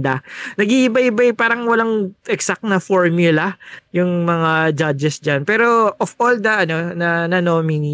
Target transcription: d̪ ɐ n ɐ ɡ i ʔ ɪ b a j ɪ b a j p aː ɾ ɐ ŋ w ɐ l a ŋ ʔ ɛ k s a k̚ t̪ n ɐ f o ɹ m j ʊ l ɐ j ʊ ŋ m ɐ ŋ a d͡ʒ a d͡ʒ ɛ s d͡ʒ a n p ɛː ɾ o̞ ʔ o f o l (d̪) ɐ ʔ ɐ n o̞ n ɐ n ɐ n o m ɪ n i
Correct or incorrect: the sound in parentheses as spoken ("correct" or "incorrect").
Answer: correct